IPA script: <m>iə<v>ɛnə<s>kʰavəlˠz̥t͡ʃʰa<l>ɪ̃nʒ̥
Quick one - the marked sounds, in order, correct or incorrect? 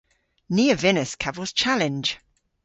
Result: incorrect: n, correct, correct, correct

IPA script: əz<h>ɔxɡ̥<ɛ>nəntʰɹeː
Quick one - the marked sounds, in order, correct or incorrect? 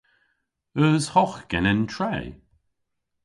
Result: correct, correct

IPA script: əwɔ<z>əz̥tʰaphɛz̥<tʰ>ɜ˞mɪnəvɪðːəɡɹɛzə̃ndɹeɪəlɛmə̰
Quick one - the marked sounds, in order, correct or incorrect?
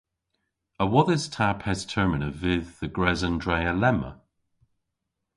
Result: incorrect: ð, correct

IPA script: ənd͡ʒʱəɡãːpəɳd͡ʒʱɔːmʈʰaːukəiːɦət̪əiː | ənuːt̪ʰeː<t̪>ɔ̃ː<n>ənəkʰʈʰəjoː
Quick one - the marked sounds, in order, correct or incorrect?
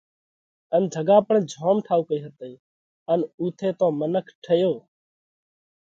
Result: correct, incorrect: m

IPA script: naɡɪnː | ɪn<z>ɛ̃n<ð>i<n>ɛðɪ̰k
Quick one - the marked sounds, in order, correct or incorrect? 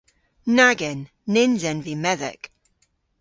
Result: correct, incorrect: v, incorrect: m

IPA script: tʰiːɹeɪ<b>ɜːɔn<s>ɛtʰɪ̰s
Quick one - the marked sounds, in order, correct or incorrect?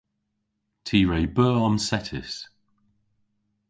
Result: correct, correct

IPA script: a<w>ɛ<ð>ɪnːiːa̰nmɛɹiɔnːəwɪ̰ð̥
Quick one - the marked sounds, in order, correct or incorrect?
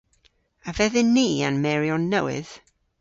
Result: incorrect: v, correct

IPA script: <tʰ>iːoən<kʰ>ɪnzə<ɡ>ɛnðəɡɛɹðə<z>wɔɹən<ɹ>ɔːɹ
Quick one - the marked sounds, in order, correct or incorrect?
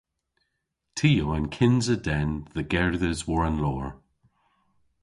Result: correct, correct, incorrect: d, correct, incorrect: l

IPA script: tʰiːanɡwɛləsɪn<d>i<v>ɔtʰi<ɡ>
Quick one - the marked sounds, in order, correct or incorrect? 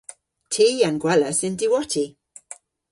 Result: correct, incorrect: w, incorrect: none

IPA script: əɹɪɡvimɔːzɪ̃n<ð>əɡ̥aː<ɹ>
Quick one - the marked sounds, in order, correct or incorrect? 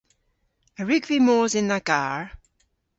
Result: correct, correct

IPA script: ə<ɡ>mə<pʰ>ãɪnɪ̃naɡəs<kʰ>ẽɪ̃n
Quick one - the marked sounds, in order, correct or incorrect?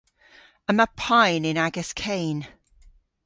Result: incorrect: none, correct, correct

